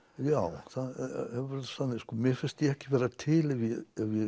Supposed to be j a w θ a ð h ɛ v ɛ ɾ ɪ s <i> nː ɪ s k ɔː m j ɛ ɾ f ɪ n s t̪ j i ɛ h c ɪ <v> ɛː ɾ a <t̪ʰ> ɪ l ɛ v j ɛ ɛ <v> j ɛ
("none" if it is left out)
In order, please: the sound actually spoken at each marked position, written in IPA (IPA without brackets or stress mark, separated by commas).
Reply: a, v, t̪ʰ, v